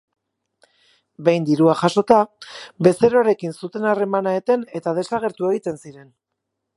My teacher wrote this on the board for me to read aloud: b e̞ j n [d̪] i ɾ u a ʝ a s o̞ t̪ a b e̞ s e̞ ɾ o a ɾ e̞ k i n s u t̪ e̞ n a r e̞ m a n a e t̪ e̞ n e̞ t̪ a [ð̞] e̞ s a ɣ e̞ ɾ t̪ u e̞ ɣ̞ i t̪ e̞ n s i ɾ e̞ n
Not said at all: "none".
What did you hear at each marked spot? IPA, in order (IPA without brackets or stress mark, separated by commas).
d̪, ð̞